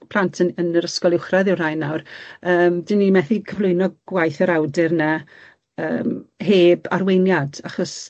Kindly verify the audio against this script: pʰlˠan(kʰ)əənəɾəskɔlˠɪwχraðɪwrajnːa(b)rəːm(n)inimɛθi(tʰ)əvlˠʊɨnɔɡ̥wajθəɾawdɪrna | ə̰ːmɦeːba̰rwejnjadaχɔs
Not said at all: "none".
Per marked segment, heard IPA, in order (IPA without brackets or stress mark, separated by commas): tʰ, w, d, kʰ